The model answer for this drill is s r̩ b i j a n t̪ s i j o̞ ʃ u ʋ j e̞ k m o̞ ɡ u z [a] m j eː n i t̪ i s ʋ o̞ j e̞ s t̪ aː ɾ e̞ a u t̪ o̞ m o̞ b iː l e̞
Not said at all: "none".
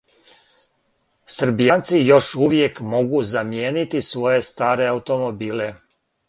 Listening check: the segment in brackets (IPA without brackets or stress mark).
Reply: a